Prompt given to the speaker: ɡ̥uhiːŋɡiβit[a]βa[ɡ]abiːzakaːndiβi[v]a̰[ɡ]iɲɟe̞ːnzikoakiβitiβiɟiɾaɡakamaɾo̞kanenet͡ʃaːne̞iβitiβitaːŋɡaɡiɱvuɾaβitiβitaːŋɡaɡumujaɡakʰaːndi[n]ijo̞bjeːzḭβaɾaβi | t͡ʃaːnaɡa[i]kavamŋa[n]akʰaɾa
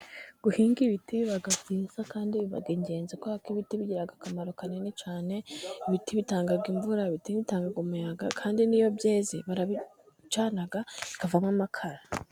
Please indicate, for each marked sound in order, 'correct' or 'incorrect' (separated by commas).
incorrect, correct, incorrect, correct, correct, correct, incorrect